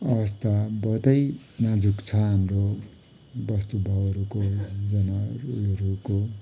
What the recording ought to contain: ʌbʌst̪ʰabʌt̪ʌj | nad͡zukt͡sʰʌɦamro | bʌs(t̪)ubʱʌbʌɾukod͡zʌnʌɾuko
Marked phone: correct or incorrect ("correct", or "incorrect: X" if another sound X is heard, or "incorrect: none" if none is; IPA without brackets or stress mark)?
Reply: correct